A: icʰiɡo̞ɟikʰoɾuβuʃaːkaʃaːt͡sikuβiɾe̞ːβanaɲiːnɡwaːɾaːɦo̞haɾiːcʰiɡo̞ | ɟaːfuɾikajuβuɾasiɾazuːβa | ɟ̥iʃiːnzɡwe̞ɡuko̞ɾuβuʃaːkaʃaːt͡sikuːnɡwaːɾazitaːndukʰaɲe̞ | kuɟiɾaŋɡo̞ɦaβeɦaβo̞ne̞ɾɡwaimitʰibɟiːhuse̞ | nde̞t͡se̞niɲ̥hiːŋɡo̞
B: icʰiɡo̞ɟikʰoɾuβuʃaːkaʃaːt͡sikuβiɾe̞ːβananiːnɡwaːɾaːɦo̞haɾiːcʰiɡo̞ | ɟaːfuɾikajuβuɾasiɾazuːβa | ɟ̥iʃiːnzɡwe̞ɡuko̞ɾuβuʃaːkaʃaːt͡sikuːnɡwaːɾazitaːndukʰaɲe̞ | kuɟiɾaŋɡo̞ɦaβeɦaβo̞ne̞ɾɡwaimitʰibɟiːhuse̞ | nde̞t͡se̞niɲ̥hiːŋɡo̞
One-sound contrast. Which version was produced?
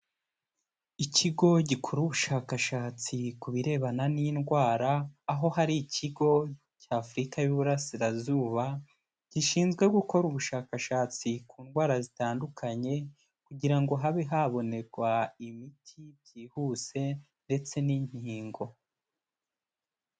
B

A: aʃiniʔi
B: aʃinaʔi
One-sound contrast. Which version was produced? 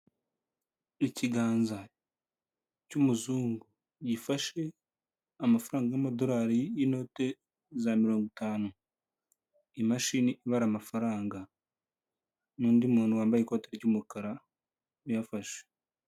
A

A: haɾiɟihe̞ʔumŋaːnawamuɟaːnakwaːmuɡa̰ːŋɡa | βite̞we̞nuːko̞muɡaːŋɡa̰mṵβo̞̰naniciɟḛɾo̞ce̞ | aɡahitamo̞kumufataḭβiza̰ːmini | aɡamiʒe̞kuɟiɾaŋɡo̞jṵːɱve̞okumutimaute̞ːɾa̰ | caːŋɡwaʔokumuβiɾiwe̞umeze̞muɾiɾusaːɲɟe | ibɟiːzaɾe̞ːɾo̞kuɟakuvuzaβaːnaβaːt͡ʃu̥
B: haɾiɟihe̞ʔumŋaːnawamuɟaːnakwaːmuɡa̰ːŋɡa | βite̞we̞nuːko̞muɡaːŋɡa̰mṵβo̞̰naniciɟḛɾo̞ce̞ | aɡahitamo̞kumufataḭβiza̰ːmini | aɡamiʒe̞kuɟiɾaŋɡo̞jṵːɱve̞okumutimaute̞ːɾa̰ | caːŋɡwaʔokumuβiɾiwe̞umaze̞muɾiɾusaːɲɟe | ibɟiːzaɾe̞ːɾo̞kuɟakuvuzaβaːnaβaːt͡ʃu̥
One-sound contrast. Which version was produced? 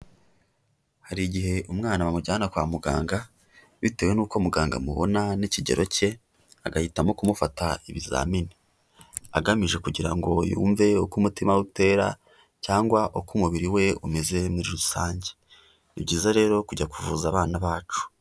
A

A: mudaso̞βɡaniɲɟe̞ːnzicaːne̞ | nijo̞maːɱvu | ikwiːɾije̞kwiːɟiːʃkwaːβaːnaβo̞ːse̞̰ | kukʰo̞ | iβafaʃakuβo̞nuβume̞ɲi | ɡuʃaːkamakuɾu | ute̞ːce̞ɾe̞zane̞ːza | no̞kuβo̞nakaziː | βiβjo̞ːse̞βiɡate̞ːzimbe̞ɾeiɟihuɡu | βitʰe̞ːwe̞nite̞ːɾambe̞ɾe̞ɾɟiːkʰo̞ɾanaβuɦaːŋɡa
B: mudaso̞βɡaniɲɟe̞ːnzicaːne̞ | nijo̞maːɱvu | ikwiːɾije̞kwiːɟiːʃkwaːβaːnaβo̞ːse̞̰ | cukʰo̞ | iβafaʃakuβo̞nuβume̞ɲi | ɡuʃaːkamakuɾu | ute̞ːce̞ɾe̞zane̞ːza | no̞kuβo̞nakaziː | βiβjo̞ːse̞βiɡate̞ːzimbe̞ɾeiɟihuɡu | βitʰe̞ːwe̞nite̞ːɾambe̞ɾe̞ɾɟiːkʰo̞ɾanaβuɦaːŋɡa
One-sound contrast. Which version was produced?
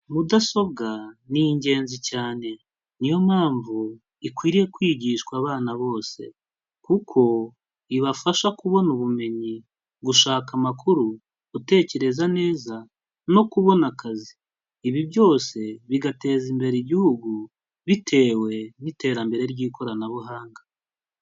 A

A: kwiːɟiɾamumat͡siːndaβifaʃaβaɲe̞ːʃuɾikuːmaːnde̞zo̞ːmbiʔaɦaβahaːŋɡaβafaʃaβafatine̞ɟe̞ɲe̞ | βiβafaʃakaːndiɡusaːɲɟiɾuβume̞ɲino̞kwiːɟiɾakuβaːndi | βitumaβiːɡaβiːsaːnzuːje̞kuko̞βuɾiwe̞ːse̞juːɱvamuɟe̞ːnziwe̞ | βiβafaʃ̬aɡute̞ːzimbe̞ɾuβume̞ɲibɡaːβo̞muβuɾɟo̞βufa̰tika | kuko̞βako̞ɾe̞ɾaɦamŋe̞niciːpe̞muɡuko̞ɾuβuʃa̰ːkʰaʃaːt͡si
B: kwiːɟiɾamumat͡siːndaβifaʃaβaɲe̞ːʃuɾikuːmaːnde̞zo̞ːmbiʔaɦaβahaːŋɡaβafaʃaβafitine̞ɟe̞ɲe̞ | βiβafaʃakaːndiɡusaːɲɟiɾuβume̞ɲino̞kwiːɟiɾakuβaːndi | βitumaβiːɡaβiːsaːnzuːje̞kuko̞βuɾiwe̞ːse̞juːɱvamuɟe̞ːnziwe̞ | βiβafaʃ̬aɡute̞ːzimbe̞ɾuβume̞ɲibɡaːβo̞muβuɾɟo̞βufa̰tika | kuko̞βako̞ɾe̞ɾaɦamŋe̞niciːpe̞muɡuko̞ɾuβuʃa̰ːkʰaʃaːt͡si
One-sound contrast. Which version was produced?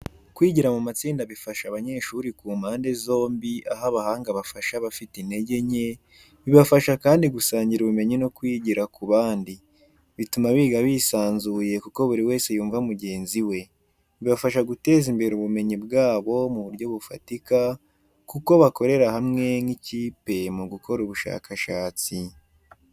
B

